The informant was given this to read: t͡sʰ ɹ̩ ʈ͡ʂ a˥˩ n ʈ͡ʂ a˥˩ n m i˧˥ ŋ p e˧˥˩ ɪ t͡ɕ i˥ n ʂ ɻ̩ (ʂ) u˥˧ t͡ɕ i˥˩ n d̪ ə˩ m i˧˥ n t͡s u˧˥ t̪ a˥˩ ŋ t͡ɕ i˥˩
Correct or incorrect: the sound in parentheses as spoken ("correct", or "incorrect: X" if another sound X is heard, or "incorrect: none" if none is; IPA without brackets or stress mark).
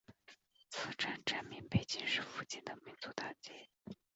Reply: incorrect: f